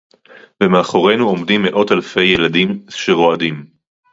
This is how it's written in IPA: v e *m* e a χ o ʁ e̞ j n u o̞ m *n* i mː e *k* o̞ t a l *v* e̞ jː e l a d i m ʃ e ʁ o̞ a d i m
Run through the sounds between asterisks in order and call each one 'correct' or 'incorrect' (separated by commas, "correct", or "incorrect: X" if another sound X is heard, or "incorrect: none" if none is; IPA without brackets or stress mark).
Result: correct, incorrect: d, incorrect: ʔ, incorrect: f